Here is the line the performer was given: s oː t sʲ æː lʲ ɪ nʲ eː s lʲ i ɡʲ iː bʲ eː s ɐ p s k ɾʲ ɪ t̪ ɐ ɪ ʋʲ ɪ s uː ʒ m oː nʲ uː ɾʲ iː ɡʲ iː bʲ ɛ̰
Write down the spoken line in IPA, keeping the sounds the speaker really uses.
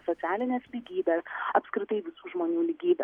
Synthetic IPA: s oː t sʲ æː lʲ ɪ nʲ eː s lʲ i ɡʲ iː bʲ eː s ɐ p s k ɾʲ ɪ t̪ ɐ ɪ ʋʲ ɪ s uː ʒ m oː nʲ uː lʲ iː ɡʲ iː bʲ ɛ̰